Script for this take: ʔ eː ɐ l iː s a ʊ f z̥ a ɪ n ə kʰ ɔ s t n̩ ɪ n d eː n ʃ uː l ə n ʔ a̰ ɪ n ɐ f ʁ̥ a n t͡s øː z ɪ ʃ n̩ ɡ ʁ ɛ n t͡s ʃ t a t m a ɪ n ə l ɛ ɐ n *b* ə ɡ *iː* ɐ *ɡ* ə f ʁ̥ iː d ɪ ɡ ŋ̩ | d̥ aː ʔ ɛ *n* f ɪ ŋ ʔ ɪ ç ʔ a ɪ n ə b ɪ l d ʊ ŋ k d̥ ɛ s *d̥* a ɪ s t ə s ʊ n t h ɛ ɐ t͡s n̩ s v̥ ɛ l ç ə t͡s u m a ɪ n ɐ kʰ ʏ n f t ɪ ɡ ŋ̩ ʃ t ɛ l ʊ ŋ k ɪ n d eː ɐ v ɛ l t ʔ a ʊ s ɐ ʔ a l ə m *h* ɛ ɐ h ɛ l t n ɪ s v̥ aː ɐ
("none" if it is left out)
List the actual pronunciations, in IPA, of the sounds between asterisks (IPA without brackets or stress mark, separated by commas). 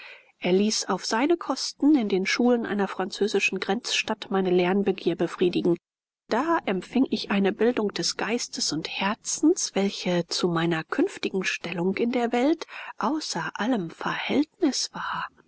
b, iː, b, m, ɡ̥, f